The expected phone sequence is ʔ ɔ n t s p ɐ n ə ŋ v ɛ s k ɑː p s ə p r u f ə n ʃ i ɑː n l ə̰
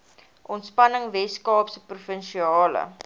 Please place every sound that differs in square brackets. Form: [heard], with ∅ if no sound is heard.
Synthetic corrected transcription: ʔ ɔ n t s p ɐ n ə ŋ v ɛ s k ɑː p s ə p r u f ə n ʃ i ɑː [∅] l ə̰